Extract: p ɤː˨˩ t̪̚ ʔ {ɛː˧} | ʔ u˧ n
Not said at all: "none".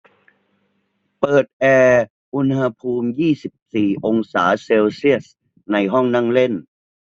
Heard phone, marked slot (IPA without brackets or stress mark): ɛː˧